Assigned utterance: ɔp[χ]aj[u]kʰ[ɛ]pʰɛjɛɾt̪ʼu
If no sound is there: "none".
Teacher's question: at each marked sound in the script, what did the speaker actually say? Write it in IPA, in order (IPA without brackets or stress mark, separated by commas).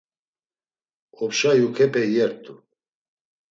ʃ, u, ɛ